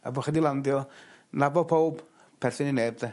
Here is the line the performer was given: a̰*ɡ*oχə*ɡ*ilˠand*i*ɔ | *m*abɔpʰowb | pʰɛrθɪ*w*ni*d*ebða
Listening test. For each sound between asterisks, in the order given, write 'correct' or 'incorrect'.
incorrect, incorrect, incorrect, incorrect, incorrect, incorrect

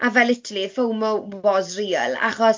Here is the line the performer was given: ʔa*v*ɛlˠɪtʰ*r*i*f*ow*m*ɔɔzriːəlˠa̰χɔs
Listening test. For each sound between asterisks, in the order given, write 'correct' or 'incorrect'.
correct, incorrect, correct, correct

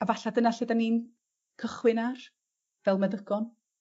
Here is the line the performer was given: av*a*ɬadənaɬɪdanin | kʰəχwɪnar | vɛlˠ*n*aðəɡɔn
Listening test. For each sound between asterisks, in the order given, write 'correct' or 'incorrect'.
correct, incorrect

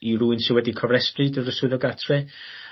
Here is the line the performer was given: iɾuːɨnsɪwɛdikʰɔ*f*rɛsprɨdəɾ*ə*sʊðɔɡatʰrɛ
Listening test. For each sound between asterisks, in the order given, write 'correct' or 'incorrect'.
incorrect, correct

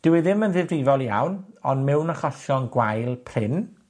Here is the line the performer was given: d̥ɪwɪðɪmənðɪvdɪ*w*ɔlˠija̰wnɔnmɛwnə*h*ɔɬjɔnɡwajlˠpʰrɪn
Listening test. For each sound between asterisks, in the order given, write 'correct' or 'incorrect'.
incorrect, incorrect

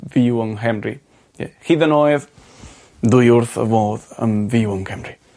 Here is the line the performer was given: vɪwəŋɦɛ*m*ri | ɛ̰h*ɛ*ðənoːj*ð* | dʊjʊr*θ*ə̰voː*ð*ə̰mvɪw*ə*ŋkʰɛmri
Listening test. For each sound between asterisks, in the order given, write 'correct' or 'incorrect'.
correct, incorrect, correct, correct, correct, correct

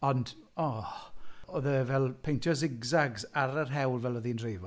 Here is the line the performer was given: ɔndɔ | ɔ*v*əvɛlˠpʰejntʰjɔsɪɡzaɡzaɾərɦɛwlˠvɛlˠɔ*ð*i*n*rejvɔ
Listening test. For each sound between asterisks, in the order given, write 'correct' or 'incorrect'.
incorrect, correct, correct

